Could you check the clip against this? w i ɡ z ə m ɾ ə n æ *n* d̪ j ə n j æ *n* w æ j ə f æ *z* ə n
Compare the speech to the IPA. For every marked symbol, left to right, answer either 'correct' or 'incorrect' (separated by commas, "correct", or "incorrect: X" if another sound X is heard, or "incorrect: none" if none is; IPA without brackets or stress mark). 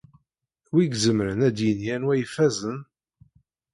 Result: incorrect: none, correct, correct